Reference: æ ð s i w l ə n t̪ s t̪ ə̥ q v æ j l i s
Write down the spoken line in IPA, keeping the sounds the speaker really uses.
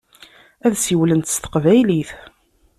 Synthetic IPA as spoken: æ ð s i w l ə n t̪ s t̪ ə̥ q v æ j l i θ